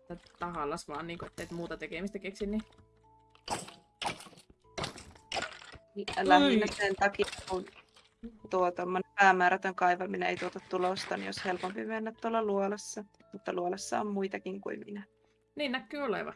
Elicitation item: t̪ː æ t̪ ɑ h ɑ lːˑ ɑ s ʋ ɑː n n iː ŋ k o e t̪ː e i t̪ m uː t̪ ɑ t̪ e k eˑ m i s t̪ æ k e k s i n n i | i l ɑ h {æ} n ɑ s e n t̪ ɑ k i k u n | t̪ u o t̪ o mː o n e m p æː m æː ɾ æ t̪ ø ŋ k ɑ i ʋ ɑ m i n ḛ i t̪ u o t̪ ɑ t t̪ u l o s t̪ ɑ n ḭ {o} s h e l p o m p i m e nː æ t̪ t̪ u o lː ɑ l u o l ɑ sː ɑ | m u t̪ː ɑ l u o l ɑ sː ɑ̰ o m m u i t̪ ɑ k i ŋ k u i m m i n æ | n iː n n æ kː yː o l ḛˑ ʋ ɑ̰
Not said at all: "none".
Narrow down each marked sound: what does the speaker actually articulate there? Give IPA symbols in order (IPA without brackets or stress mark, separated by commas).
i, o